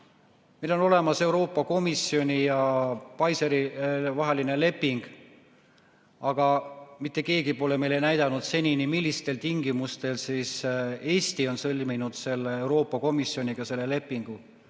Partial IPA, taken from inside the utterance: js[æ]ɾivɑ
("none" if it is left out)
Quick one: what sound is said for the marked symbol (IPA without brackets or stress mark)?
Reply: e